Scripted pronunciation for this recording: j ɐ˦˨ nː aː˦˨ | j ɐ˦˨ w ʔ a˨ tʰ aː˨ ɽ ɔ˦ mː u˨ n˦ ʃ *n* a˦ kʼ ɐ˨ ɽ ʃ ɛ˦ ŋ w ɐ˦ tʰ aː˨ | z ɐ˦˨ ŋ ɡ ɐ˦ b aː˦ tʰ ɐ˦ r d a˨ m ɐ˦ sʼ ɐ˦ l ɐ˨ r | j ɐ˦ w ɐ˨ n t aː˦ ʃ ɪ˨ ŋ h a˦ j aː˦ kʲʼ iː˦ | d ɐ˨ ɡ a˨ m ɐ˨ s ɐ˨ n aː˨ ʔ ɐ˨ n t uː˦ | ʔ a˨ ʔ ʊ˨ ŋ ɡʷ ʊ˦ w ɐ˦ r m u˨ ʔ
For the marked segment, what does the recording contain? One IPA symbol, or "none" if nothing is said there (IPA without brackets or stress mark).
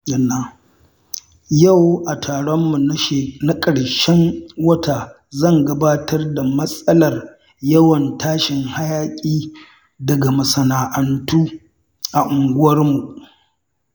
n